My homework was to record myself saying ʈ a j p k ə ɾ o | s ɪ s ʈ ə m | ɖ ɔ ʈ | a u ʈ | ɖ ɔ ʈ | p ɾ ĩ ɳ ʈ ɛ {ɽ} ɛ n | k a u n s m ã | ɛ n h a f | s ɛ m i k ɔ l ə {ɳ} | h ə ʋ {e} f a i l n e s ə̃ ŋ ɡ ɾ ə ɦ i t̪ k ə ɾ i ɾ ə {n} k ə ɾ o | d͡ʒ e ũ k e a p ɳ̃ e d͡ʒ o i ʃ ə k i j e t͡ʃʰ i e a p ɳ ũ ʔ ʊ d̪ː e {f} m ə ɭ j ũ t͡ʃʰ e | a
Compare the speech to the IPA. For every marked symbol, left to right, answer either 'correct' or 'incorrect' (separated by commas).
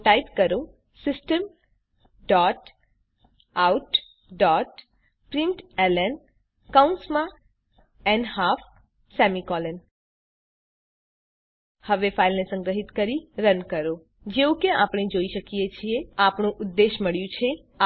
incorrect, incorrect, correct, correct, incorrect